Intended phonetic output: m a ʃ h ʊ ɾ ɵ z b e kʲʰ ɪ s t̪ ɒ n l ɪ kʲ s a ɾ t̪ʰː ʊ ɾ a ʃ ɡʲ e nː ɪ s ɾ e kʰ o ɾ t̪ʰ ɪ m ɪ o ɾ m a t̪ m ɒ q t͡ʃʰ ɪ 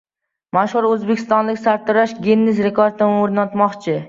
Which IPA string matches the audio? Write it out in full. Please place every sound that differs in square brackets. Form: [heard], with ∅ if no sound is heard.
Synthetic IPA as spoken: m a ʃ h ʊ ɾ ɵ z b e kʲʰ ɪ s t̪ ɒ n l ɪ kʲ s a ɾ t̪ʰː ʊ ɾ a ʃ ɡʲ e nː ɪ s ɾ e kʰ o ɾ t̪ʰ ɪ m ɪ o ɾ [n] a t̪ m ɒ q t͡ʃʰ ɪ